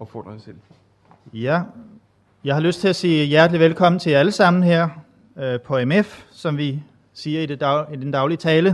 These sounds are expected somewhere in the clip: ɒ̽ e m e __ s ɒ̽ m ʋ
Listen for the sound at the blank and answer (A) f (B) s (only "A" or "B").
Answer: A